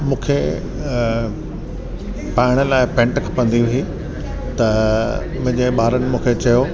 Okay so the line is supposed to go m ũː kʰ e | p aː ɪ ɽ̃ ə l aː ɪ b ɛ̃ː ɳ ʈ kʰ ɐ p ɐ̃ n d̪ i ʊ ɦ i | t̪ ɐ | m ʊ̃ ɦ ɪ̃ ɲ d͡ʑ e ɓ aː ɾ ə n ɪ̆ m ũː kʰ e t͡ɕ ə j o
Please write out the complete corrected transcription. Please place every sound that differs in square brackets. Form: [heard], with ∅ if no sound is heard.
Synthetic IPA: m ũː kʰ e | p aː ɪ ɽ̃ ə l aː ɪ [p] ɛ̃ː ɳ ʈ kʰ ɐ p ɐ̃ n d̪ i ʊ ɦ i | t̪ ɐ | m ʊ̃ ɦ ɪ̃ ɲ d͡ʑ e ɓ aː ɾ ə n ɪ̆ m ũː kʰ e t͡ɕ [ɐ] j o

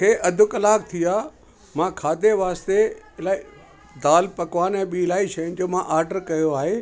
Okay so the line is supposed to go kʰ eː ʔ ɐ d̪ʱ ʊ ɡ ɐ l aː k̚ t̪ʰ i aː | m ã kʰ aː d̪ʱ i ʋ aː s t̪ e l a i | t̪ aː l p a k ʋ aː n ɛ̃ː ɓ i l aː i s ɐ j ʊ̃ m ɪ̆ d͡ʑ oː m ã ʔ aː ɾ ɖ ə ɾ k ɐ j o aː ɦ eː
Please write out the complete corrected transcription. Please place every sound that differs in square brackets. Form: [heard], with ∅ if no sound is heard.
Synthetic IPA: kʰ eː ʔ ɐ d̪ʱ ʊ [k] ɐ l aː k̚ t̪ʰ i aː | m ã kʰ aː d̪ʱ [e] ʋ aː s t̪ e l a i | [d̪] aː l p [ɐ] k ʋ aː n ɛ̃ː ɓ i l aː i [ʃ] ɐ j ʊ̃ [n] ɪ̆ d͡ʑ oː m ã ʔ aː ɾ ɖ ə ɾ k ɐ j o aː ɦ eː

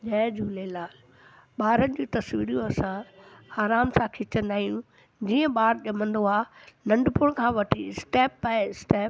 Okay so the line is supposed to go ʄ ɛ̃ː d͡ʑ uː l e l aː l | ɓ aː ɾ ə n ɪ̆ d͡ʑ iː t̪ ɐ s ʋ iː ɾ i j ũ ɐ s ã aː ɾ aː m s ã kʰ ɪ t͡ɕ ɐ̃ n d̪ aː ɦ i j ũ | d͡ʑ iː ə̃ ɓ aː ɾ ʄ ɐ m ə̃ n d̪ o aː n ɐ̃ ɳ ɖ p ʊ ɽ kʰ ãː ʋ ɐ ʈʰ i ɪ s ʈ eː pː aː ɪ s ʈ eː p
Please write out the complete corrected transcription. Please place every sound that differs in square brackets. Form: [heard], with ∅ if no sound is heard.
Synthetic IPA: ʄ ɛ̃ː d͡ʑ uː l e l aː l | ɓ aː ɾ ə n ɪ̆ d͡ʑ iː t̪ ɐ s ʋ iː ɾ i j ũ ɐ s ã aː ɾ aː m s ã kʰ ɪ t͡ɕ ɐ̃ n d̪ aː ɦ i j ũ | d͡ʑ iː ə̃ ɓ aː ɾ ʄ ɐ m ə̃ n d̪ o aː n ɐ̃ ɳ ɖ p ʊ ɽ kʰ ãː ʋ ɐ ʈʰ i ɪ s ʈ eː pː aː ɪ s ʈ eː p

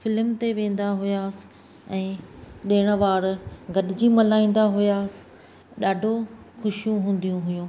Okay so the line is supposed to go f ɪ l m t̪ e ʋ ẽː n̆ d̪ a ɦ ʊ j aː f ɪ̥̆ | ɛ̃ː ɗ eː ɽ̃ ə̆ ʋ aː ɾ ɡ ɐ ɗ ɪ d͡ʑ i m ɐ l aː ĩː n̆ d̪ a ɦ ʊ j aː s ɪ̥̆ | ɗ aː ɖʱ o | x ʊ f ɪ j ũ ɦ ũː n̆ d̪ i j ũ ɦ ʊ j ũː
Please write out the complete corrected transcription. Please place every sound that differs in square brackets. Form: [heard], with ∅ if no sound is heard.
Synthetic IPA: f ɪ l m t̪ e ʋ ẽː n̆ d̪ a ɦ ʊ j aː [s] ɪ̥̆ | ɛ̃ː ɗ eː ɽ̃ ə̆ ʋ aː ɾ ɡ ɐ ɗ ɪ d͡ʑ i m ɐ l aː ĩː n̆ d̪ a ɦ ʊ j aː s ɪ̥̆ | ɗ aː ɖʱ o | x ʊ [ʃ] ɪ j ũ ɦ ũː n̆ d̪ i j ũ ɦ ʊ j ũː

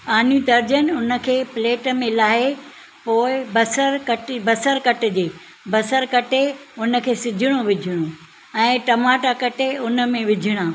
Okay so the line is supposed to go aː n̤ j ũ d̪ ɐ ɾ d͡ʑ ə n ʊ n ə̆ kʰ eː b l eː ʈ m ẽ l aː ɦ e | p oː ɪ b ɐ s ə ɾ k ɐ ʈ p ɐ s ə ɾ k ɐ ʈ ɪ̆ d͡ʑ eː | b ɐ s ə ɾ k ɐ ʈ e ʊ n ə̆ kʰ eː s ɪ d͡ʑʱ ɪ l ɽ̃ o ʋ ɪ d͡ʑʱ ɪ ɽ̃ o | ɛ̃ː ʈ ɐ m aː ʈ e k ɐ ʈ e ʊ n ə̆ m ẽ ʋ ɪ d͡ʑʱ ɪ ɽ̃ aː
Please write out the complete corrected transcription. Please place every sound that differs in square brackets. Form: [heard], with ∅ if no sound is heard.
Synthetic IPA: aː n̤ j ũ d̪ ɐ ɾ d͡ʑ ə n ʊ n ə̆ kʰ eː [p] l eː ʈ m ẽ l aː ɦ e | p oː ɪ b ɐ s ə ɾ k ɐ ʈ [b] ɐ s ə ɾ k ɐ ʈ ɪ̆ d͡ʑ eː | b ɐ s ə ɾ k ɐ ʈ e ʊ n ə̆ kʰ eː s ɪ d͡ʑʱ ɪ [∅] ɽ̃ o ʋ ɪ d͡ʑʱ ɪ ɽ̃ o | ɛ̃ː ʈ ɐ m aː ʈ [a] k ɐ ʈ e ʊ n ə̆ m ẽ ʋ ɪ d͡ʑʱ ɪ ɽ̃ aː

